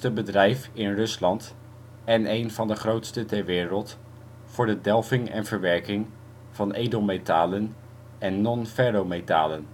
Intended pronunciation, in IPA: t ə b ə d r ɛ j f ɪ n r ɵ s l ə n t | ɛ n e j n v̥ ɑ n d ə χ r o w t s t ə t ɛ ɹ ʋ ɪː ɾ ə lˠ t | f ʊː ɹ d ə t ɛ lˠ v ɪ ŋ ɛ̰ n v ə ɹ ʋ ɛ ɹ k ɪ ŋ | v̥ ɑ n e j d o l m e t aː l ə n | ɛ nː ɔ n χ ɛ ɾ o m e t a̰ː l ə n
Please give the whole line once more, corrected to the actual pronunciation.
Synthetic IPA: t ə b ə d r ɛ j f ɪ n r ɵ s l ɑ n t | ɛ n e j n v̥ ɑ n d ə χ r o w t s t ə t ɛ ɹ ʋ ɪː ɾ ə lˠ t | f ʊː ɹ d ə d ɛ lˠ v ɪ ŋ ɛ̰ n v ə ɹ ʋ ɛ ɹ k ɪ ŋ | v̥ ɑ n e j d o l m e t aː l ə n | ɛ nː ɔ n f ɛ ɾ o m e t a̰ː l ə n